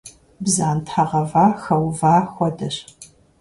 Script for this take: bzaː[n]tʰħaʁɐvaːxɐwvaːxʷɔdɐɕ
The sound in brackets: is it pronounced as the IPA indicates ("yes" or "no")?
yes